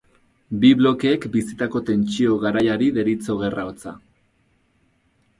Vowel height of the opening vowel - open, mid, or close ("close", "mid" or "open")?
close